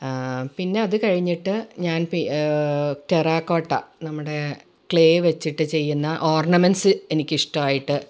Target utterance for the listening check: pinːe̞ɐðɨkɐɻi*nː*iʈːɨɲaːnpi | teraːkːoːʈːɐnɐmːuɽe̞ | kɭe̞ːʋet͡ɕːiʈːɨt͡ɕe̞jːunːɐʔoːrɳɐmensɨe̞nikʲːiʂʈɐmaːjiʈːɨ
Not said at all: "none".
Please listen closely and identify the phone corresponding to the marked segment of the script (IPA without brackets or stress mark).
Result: ɲː